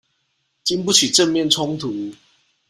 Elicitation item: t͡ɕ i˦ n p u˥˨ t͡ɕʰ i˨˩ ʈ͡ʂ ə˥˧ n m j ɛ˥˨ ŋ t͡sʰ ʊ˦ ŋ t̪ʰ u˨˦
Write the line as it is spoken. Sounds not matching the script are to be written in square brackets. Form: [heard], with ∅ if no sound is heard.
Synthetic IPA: t͡ɕ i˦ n p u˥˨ t͡ɕʰ i˨˩ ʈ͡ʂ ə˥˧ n m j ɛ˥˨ [n] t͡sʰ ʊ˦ ŋ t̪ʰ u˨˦